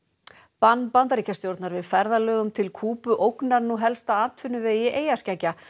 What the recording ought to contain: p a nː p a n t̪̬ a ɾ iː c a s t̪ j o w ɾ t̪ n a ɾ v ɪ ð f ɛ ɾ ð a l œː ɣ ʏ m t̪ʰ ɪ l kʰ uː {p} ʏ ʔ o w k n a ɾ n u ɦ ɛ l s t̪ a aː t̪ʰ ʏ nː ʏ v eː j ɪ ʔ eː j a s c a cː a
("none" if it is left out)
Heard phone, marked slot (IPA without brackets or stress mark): p